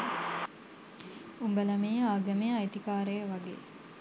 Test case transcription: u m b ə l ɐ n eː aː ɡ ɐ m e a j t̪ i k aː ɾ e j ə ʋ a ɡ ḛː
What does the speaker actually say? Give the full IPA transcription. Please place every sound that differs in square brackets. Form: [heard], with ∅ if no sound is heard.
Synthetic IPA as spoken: u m b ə l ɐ [m] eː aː ɡ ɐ m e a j t̪ i k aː ɾ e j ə ʋ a ɡ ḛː